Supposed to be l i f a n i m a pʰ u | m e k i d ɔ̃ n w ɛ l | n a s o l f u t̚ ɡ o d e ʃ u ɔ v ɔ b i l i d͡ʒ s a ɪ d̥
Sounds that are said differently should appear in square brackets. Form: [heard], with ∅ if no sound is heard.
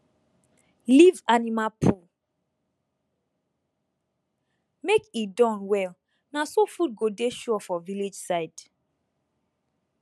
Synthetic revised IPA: l i [v] a n i m a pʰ u | m e k i d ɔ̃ n w ɛ l | n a s o [∅] f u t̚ ɡ o d e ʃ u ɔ [f] ɔ [v] i l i d͡ʒ s a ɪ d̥